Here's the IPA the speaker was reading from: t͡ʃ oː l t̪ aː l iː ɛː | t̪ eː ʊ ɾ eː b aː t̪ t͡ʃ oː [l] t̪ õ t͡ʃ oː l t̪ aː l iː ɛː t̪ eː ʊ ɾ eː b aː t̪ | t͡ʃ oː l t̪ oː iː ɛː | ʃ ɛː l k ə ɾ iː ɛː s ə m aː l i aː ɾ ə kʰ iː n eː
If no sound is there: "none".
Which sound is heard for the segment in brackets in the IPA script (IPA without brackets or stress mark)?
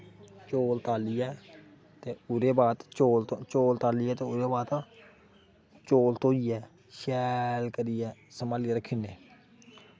l